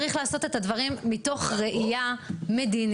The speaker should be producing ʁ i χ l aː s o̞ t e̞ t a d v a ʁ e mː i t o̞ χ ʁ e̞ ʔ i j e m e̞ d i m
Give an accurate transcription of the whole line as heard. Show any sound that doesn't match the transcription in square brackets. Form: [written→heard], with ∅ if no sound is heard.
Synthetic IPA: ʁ i χ l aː s o̞ t e̞ t a d v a ʁ [e→i] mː i t o̞ χ ʁ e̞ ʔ i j [e→a] m e̞ d i [m→n]